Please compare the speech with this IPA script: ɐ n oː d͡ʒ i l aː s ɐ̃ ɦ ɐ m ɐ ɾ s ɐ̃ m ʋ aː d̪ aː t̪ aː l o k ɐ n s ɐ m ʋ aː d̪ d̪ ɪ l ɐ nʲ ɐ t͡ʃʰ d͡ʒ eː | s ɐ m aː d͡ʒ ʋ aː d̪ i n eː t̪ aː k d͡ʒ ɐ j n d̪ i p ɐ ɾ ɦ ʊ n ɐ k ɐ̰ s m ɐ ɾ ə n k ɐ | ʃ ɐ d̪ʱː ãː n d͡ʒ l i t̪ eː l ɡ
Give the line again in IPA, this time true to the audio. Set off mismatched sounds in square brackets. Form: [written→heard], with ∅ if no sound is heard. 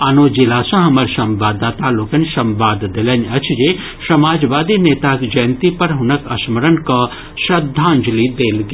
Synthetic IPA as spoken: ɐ n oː d͡ʒ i l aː s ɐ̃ ɦ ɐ m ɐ ɾ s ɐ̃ m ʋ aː d̪ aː t̪ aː l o k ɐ n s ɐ m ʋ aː d̪ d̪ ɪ l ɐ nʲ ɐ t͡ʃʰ d͡ʒ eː | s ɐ m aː d͡ʒ ʋ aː d̪ i n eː t̪ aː k d͡ʒ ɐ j n [d̪→t̪] i p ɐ ɾ ɦ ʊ n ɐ k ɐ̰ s m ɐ ɾ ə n k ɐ | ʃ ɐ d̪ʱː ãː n d͡ʒ l i [t̪→d̪] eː l ɡ